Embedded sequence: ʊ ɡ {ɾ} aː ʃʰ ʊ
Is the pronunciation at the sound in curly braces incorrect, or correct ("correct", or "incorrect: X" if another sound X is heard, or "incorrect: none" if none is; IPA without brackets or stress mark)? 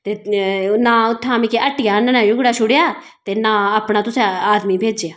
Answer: incorrect: ɽ